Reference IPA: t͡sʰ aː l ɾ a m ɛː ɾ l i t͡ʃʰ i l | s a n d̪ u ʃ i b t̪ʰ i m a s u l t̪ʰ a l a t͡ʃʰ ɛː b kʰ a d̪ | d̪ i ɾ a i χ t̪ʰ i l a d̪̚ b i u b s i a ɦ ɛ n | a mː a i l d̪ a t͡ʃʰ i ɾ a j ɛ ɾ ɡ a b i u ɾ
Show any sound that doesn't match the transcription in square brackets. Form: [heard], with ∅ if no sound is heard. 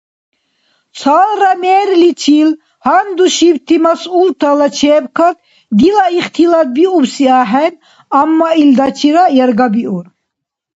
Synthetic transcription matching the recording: t͡sʰ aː l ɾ a m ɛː ɾ l i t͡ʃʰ i l | [h] a n d̪ u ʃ i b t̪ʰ i m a s u l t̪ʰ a l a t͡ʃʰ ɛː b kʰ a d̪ | d̪ i [l] a i χ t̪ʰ i l a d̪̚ b i u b s i a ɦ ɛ n | a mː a i l d̪ a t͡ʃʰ i ɾ a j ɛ ɾ ɡ a b i u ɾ